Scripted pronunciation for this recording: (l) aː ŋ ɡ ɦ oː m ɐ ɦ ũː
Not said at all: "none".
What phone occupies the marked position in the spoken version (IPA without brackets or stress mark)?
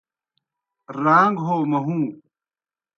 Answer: ɾ